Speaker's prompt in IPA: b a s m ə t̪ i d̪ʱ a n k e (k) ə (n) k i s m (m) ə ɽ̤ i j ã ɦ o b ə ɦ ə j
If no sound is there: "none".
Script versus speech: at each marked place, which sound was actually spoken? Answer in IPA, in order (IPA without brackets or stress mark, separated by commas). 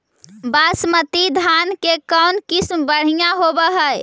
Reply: k, n, b